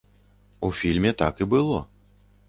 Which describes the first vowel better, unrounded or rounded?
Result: rounded